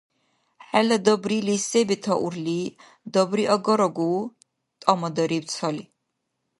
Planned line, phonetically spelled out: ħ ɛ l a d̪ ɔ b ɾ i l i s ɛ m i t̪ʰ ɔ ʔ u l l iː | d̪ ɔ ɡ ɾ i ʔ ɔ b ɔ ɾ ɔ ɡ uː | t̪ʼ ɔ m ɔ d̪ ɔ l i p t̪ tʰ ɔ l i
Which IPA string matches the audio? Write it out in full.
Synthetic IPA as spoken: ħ ɛ l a d̪ ɔ b ɾ i l i s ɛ b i t̪ʰ ɔ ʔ u ɾ l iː | d̪ ɔ b ɾ i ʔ ɔ ɡ ɔ ɾ ɔ ɡ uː | t̪ʼ ɔ m ɔ d̪ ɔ ɾ i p t̪ sʰ ɔ l i